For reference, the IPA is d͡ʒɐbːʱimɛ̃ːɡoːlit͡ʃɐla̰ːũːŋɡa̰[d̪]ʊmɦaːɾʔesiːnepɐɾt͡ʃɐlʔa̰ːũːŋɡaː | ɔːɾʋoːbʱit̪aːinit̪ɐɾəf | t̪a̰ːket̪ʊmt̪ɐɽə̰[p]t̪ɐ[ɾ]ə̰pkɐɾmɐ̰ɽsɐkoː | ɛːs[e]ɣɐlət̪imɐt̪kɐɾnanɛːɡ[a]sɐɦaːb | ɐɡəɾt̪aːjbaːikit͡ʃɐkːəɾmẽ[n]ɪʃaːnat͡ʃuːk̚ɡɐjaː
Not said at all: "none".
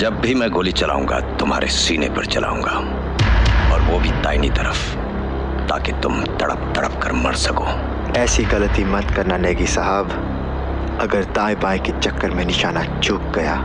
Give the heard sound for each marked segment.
t̪, p, ɽ, i, i, n

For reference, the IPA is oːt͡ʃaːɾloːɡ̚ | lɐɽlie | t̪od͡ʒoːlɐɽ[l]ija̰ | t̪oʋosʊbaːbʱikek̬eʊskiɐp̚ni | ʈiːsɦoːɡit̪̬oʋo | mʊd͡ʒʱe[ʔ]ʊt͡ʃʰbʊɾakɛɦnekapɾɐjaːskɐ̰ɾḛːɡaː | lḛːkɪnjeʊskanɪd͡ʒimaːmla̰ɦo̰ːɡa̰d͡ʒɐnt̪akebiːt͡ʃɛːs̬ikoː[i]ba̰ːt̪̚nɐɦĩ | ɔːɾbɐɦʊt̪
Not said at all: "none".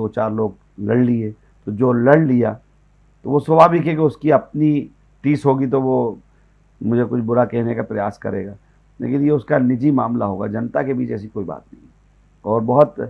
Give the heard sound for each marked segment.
l, k, i

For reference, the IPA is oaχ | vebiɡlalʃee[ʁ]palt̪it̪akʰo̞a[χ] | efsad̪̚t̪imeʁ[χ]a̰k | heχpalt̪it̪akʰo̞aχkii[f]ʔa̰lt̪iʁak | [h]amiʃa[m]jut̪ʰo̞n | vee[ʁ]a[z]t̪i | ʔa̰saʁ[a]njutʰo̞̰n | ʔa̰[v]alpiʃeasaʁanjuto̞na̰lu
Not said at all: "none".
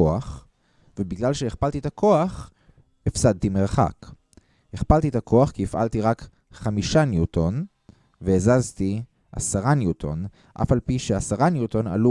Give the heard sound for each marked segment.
χ, χ, χ, f, χ, n, z, z, a, f

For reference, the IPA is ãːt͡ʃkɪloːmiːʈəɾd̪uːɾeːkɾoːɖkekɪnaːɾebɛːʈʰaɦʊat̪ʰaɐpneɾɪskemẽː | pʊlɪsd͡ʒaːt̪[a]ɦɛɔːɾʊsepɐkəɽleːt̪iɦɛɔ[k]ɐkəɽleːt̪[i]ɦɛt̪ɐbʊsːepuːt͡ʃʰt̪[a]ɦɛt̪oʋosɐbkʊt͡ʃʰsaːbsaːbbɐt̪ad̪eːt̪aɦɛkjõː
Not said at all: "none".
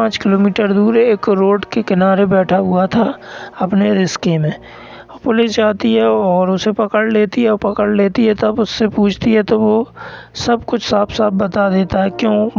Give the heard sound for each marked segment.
i, p, i, i

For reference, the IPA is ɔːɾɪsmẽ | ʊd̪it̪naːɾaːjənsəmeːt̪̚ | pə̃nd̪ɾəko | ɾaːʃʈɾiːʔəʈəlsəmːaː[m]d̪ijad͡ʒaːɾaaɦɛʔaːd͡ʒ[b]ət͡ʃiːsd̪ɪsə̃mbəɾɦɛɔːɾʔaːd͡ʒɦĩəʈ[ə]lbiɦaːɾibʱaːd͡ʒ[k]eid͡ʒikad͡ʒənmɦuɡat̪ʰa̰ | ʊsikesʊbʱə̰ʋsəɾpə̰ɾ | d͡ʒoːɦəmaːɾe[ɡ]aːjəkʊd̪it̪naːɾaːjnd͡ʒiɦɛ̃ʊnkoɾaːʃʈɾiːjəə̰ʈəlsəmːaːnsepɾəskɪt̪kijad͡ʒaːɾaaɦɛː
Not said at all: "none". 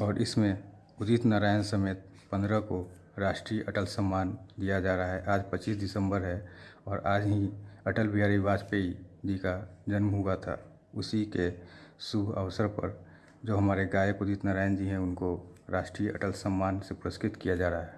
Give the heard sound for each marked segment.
n, p, ə, p, ɡ

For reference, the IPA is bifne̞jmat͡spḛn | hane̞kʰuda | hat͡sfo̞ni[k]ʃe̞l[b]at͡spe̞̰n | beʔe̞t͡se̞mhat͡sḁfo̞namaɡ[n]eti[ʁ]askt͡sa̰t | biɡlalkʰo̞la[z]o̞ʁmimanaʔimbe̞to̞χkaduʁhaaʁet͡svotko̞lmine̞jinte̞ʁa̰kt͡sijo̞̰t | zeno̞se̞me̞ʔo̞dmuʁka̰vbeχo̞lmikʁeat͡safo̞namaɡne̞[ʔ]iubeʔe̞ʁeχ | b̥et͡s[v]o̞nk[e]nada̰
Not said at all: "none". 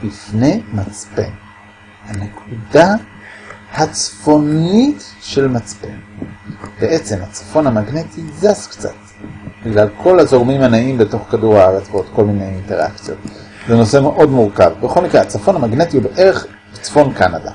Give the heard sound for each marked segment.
t, m, n, z, z, t, f, a

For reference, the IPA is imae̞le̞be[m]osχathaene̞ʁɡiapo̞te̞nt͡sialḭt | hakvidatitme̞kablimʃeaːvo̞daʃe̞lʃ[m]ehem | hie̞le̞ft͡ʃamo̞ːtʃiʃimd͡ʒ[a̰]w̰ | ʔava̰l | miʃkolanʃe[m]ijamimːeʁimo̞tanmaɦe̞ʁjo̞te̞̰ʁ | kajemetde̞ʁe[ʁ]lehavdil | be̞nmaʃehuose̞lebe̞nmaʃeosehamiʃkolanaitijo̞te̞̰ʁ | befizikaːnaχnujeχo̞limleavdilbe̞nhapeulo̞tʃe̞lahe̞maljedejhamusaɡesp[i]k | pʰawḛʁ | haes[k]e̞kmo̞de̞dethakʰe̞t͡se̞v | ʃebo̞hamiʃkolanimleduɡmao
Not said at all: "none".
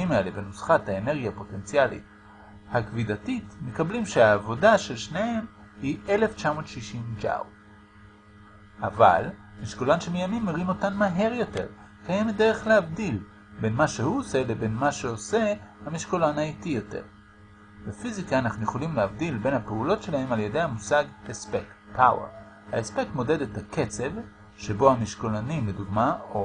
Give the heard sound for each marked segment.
n, n, a̰, m, χ, e, p

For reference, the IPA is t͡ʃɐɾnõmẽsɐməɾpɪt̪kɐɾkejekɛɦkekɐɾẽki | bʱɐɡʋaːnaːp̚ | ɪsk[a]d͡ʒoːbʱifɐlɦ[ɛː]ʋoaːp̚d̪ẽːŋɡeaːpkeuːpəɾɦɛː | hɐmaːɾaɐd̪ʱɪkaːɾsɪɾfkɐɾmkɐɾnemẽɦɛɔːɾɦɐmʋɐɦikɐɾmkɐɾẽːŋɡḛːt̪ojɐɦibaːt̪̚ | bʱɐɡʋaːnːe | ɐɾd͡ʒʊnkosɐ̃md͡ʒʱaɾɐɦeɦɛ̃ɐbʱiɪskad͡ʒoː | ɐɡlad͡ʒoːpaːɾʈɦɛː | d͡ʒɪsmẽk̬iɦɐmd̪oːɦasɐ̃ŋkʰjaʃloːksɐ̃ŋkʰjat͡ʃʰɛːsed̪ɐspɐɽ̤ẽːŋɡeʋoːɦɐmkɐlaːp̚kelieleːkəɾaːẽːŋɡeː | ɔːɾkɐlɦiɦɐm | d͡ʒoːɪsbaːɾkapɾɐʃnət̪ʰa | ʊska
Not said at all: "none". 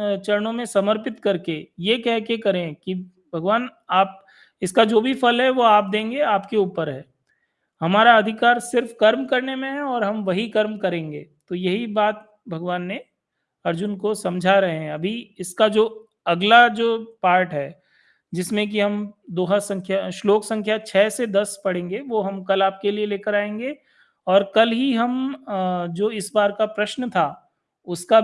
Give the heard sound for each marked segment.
a, ɛ

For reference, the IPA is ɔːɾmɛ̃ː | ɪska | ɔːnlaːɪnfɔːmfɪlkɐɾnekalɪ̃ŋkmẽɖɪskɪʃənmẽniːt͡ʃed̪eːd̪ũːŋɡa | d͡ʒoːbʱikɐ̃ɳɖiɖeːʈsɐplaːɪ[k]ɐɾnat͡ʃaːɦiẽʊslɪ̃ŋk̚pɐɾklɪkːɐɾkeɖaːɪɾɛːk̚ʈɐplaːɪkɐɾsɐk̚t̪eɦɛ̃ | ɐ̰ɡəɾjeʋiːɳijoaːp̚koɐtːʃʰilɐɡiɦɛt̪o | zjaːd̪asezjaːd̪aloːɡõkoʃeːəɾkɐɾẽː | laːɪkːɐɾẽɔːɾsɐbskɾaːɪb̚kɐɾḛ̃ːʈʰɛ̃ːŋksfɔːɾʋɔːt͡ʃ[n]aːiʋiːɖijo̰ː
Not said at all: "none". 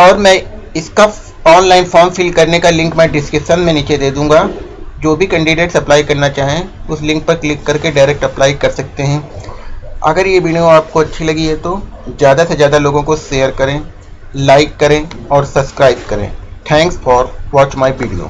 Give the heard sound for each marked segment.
k, m

